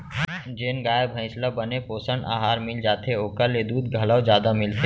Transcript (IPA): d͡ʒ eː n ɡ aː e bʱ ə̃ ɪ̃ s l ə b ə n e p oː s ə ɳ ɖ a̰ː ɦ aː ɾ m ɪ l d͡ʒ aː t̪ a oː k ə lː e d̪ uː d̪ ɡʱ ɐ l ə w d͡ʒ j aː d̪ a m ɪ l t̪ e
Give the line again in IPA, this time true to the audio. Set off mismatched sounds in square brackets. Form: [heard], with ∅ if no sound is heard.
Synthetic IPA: d͡ʒ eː n ɡ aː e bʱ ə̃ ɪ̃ s l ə b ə n e p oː s ə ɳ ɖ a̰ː ɦ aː ɾ m ɪ l d͡ʒ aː t̪ [e] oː k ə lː e d̪ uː d̪ ɡʱ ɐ l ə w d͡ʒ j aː d̪ a m ɪ l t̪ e